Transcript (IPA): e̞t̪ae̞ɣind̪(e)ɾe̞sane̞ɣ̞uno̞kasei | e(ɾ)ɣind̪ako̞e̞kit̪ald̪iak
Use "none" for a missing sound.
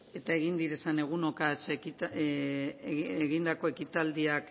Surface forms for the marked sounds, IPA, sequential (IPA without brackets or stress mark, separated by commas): i, none